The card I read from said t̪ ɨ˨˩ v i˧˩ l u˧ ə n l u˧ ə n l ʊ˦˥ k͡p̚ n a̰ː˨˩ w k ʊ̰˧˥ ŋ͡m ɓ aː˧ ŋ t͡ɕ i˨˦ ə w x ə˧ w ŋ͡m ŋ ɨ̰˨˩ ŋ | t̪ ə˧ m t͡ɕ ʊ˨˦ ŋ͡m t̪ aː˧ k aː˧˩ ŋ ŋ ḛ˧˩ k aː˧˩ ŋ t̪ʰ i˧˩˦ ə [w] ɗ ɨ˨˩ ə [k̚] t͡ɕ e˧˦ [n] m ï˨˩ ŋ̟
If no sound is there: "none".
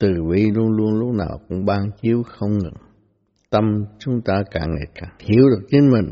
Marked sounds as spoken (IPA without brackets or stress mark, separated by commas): w, k̚, n